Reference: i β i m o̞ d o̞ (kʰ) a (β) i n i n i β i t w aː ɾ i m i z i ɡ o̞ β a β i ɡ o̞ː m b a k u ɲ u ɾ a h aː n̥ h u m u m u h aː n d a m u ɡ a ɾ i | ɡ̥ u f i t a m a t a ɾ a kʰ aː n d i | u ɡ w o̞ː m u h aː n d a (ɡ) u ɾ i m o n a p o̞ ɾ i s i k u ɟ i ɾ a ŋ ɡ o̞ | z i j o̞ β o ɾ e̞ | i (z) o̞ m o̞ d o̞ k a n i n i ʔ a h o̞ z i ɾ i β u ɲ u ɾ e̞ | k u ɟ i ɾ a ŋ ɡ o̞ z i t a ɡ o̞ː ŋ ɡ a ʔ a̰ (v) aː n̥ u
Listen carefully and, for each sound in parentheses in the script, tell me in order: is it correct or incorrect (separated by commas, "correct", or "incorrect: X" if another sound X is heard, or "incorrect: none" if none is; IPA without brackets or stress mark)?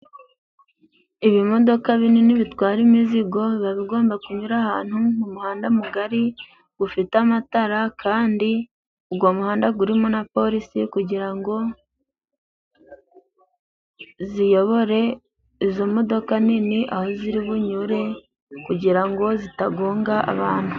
incorrect: k, correct, correct, correct, incorrect: β